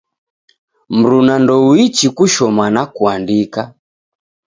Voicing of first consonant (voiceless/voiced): voiced